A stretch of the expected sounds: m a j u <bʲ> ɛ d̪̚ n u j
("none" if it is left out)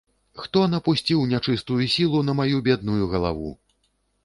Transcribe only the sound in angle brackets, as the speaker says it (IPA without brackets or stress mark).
bʲ